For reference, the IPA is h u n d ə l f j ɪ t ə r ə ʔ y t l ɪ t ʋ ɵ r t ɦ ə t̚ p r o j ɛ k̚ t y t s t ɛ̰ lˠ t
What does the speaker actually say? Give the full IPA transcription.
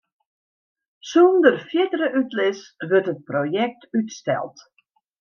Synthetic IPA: s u n d ə r f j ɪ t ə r ə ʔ y t l ɪ s ʋ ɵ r t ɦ ə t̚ p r o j ɛ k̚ t y t s t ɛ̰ lˠ t